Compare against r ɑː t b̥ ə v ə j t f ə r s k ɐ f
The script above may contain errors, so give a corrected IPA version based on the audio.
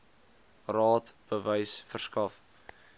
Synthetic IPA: r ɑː t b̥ ə v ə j s f ə r s k ɐ f